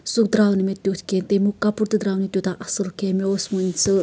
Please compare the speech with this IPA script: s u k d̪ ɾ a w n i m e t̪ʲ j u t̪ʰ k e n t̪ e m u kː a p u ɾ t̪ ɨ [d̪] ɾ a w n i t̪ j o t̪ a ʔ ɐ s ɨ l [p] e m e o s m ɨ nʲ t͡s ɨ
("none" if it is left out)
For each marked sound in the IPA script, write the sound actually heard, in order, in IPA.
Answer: d̪, k

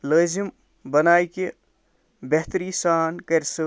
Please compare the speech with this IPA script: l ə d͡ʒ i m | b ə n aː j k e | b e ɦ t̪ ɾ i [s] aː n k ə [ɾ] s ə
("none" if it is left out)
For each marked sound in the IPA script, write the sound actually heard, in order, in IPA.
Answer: s, ɾ

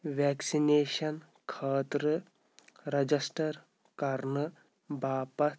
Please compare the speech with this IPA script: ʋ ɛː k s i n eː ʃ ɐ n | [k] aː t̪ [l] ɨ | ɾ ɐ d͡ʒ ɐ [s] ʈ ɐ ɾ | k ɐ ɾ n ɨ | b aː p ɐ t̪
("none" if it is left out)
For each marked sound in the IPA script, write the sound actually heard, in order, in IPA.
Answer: kʰ, ɾ, s

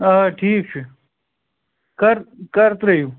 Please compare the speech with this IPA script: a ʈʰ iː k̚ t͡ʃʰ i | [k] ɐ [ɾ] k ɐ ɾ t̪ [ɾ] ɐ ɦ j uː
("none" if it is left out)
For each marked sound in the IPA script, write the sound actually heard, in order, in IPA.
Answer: k, ɾ, ɾ

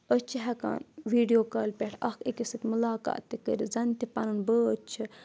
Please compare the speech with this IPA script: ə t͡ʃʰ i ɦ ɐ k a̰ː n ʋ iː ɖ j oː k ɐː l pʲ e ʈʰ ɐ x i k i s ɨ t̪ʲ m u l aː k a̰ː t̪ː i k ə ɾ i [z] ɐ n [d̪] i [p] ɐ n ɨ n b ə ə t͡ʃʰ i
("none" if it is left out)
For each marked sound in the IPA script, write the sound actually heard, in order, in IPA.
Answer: z, t̪, p

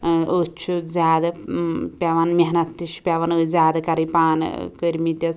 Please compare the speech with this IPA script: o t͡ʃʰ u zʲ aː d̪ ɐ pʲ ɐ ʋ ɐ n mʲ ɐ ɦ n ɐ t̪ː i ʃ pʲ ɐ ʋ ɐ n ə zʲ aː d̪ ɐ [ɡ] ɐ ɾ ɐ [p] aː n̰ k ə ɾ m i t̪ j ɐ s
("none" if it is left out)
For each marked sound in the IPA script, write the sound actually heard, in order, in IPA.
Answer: k, p

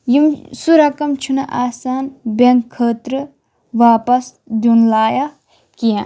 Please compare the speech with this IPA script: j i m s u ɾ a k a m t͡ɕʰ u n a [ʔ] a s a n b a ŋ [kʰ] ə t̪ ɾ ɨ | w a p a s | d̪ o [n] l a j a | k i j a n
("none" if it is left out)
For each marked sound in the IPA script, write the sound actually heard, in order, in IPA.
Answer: ʔ, kʰ, n

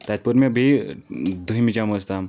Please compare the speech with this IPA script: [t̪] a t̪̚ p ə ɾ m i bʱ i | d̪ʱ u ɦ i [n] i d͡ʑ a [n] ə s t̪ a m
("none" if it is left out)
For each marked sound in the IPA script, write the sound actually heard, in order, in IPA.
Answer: t̪, m, m

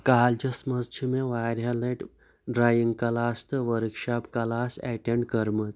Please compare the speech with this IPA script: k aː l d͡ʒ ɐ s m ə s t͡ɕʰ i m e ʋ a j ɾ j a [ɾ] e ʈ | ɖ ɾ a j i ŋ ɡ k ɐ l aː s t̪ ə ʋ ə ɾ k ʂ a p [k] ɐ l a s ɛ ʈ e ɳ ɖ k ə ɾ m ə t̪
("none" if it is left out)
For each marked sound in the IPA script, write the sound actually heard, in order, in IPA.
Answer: l, k

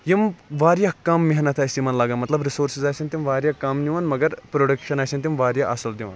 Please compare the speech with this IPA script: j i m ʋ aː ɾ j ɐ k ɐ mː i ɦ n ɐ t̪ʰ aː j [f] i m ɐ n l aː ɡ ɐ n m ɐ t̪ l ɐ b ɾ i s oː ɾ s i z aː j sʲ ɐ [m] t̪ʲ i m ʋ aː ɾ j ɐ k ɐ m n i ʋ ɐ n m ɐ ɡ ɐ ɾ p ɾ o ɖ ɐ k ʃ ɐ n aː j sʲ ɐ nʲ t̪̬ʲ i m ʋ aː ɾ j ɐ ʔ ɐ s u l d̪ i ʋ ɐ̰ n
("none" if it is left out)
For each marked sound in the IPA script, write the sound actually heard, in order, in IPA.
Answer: s, n

